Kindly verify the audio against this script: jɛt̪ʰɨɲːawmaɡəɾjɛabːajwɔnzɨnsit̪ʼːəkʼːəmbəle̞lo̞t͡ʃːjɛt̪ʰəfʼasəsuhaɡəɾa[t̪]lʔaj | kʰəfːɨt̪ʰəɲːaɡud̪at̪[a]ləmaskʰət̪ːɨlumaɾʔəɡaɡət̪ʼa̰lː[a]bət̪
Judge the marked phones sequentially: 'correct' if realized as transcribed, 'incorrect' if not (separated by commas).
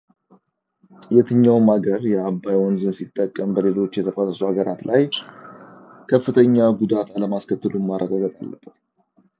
correct, correct, incorrect